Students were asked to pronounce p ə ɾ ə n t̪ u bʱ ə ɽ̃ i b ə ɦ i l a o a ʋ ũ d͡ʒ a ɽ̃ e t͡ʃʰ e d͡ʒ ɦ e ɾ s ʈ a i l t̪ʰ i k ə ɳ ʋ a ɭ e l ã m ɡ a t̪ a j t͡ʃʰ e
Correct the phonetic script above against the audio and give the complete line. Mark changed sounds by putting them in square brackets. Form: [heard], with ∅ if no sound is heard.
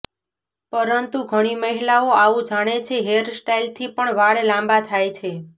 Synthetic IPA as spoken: p ə ɾ ə n t̪ u [ɡʱ] ə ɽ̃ i [m] ə ɦ i l a o a ʋ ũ d͡ʒ a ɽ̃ e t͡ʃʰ e [∅] ɦ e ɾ s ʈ a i l t̪ʰ i [p] ə ɳ ʋ a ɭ e l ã m [b] a [t̪ʰ] a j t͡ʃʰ e